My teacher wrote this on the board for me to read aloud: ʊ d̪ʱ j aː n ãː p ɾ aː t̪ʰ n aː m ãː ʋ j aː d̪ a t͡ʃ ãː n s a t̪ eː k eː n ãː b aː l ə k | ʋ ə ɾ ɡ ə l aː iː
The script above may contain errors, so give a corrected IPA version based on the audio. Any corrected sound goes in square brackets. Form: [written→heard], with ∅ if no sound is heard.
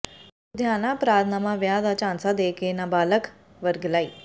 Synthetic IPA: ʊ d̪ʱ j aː n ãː p ɾ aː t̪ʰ n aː m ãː ʋ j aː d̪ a t͡ʃ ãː n s a [t̪→d̪] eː k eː n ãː b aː l ə k | ʋ ə ɾ ɡ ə l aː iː

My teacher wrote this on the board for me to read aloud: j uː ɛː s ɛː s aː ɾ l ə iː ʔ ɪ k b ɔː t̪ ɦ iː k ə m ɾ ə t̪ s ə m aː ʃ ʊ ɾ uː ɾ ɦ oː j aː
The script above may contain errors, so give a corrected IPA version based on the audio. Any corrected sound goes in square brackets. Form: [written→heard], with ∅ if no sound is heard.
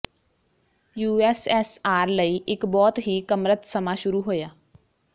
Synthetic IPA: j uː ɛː s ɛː s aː ɾ l ə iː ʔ ɪ k b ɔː t̪ ɦ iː k ə m ɾ ə t̪ s ə m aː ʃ ʊ ɾ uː [ɾ→∅] ɦ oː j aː

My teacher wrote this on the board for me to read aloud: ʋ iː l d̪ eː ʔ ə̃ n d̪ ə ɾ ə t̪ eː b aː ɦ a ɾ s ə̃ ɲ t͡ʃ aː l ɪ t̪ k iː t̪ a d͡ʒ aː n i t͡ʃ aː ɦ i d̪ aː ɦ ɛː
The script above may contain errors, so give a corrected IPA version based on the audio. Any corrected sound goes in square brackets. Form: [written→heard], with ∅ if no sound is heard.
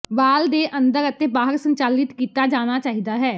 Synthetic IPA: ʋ [iː→aː] l d̪ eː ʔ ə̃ n d̪ ə ɾ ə t̪ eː b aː ɦ [a→ə] ɾ s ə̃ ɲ t͡ʃ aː l ɪ t̪ k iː t̪ a d͡ʒ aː n [i→a] t͡ʃ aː ɦ i d̪ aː ɦ ɛː

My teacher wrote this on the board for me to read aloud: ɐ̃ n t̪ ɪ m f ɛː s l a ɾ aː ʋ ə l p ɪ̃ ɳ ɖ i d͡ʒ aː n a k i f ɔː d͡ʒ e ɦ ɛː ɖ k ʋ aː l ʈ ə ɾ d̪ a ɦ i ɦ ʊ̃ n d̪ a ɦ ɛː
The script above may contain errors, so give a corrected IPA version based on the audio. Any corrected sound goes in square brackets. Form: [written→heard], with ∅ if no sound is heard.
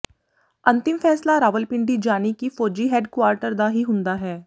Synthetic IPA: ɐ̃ n t̪ ɪ m f ɛː s l a ɾ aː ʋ ə l p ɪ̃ ɳ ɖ i d͡ʒ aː n [a→i] k i f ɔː d͡ʒ [e→i] ɦ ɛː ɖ k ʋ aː [l→ɾ] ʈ ə ɾ d̪ a ɦ i ɦ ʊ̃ n d̪ a ɦ ɛː

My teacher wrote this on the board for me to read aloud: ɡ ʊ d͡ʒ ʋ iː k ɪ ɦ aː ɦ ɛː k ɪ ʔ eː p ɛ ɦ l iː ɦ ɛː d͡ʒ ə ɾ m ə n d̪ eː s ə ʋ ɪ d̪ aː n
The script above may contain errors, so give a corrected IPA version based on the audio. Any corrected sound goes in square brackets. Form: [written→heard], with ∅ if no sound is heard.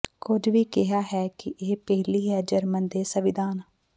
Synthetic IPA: [ɡ→k] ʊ d͡ʒ ʋ iː k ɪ ɦ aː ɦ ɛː k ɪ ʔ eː p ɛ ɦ l iː ɦ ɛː d͡ʒ ə ɾ m ə n d̪ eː s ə ʋ ɪ d̪ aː n

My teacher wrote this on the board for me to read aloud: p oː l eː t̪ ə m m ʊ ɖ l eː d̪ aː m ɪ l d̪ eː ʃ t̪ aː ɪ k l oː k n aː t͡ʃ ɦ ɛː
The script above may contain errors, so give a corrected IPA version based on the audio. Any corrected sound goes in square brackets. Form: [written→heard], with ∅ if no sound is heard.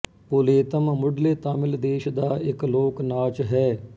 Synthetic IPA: p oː l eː t̪ ə m m ʊ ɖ l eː [d̪→t̪] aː m ɪ l d̪ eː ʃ [t̪→d̪] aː ɪ k l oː k n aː t͡ʃ ɦ ɛː

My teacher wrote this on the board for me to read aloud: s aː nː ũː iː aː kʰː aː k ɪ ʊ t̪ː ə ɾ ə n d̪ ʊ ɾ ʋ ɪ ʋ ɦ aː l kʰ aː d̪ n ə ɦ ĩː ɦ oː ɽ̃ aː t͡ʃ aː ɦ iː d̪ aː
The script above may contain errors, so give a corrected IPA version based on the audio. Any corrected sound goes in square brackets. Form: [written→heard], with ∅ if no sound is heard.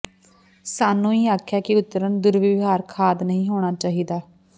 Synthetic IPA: s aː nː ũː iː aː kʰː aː k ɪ ʊ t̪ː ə ɾ ə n d̪ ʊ ɾ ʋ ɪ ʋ ɦ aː [l→ɾ] kʰ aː d̪ n ə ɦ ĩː ɦ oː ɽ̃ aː t͡ʃ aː ɦ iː d̪ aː

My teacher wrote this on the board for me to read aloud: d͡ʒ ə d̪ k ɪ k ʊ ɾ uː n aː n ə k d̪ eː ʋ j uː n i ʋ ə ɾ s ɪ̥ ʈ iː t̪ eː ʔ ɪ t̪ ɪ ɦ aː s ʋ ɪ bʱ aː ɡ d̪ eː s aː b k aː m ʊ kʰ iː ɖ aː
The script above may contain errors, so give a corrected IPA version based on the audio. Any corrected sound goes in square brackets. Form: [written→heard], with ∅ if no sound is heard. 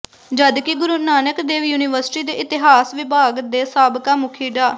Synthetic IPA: d͡ʒ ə d̪ k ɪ [k→ɡ] ʊ ɾ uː n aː n ə k d̪ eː ʋ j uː n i ʋ ə ɾ s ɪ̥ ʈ iː [t̪→d̪] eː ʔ ɪ t̪ ɪ ɦ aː s ʋ ɪ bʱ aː ɡ d̪ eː s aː b k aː m ʊ kʰ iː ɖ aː

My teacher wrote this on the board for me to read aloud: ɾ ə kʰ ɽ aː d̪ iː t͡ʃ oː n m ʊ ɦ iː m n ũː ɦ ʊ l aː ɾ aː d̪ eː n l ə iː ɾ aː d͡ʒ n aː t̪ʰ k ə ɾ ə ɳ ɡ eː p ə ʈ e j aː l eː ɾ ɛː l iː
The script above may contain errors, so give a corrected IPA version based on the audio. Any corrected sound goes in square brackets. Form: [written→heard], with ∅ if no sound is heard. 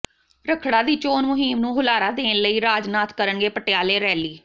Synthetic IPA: ɾ ə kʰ ɽ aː d̪ iː t͡ʃ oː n m ʊ ɦ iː m n ũː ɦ ʊ l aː ɾ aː d̪ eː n l ə iː ɾ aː d͡ʒ n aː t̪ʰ k ə ɾ ə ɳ ɡ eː p ə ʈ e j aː l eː ɾ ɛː l iː

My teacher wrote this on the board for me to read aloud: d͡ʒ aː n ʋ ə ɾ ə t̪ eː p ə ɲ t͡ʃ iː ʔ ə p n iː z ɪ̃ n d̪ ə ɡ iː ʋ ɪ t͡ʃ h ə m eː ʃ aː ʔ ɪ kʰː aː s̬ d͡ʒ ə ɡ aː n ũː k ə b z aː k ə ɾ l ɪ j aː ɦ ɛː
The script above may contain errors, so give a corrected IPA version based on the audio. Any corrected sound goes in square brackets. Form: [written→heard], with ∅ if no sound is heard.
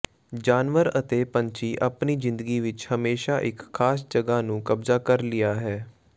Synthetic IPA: d͡ʒ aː n ʋ ə ɾ ə t̪ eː p ə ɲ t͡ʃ iː ʔ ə p n iː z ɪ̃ n d̪ ə ɡ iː ʋ ɪ t͡ʃ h ə m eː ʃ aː ʔ ɪ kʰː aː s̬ d͡ʒ ə ɡ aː n ũː k ə b z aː k ə ɾ l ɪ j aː ɦ ɛː

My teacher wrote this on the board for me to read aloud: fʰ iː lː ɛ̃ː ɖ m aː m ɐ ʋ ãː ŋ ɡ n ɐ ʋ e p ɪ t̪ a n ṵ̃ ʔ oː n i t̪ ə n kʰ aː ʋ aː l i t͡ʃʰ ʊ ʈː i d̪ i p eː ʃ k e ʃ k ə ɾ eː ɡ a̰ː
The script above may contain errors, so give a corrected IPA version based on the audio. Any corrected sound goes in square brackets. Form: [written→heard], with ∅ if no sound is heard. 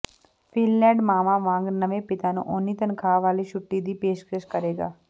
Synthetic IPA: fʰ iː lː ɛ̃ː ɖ m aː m [ɐ→a] ʋ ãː ŋ ɡ n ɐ ʋ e p ɪ t̪ a n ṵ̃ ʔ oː n i t̪ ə n kʰ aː ʋ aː l i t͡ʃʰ ʊ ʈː i d̪ i p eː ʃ k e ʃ k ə ɾ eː ɡ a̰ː

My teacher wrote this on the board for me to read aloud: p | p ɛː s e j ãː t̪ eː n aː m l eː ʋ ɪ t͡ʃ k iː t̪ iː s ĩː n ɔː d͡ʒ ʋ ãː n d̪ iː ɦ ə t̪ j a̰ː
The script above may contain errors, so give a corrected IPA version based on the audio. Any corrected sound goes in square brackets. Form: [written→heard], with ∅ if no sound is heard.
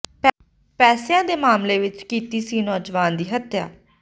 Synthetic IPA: p | p ɛː s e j ãː [t̪→d̪] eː [n→m] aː m l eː ʋ ɪ t͡ʃ k iː t̪ iː s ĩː n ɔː d͡ʒ ʋ [ãː→aː] n d̪ iː ɦ ə t̪ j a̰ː

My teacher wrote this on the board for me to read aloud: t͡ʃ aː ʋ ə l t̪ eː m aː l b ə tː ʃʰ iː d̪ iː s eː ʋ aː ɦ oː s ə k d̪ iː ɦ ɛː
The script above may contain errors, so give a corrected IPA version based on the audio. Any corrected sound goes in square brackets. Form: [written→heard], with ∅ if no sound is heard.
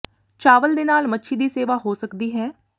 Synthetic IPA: t͡ʃ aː ʋ ə l [t̪→d̪] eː [m→n] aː l [b→m] ə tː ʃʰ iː d̪ iː s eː ʋ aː ɦ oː s ə k d̪ iː ɦ ɛː

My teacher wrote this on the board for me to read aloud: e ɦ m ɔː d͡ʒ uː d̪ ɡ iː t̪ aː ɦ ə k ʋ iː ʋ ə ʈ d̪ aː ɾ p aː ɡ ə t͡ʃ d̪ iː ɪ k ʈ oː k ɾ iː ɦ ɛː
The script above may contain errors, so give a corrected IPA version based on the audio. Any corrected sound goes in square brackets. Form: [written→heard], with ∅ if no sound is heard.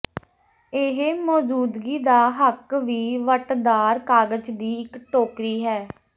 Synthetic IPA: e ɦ m ɔː d͡ʒ uː d̪ ɡ iː [t̪→d̪] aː ɦ ə k ʋ iː ʋ ə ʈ d̪ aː ɾ [p→k] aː ɡ ə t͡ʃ d̪ iː ɪ k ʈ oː k ɾ iː ɦ ɛː

